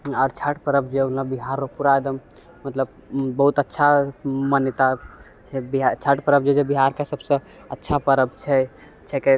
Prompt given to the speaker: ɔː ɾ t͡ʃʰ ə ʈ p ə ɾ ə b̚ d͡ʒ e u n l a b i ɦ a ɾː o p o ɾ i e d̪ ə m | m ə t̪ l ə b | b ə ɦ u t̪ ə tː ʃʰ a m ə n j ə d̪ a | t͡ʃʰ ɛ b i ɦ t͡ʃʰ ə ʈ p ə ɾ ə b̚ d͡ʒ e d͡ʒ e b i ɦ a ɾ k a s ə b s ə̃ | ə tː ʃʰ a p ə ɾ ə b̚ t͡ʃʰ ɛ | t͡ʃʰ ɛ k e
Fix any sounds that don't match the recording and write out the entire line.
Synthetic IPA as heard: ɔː ɾ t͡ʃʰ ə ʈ p ə ɾ ə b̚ d͡ʒ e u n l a b i ɦ a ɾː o p u ɾ a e d̪ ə m | m ə t̪ l ə b | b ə ɦ u t̪ ə tː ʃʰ a m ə n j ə t̪ a | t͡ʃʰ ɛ b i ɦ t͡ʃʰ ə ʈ p ə ɾ ə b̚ d͡ʒ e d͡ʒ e b i ɦ a ɾ k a s ə b s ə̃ | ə tː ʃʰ a p ə ɾ ə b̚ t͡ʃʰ ɛ | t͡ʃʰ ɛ k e